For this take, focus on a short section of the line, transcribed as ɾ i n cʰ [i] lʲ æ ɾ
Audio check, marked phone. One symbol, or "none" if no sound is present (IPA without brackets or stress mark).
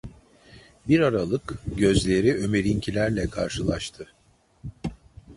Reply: i